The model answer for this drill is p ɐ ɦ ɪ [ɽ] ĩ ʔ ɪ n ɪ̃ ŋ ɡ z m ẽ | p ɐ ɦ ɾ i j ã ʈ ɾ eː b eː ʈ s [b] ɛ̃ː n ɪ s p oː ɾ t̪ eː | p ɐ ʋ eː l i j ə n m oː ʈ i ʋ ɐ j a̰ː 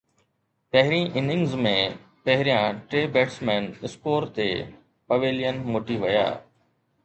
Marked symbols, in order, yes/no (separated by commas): no, no